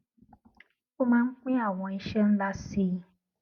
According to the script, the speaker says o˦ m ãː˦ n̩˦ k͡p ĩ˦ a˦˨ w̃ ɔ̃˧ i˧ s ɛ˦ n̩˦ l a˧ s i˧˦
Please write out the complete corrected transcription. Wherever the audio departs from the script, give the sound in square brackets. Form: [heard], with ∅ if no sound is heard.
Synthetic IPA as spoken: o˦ m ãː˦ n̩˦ k͡p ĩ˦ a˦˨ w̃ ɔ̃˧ i˧ [ʃ] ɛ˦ n̩˦ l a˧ s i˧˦